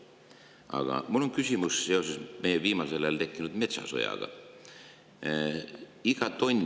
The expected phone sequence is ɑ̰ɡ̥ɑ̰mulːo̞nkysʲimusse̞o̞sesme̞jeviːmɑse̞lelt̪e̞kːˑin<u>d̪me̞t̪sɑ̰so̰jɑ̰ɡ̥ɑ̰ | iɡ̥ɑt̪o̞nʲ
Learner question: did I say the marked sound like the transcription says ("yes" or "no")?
yes